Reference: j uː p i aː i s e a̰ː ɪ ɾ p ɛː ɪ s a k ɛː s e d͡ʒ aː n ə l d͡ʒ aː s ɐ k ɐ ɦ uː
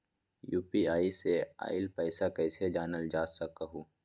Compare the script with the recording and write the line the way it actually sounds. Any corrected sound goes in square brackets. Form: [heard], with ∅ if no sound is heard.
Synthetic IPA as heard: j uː p i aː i s e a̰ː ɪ [l] p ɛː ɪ s a k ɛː s e d͡ʒ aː n ə l d͡ʒ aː s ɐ k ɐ ɦ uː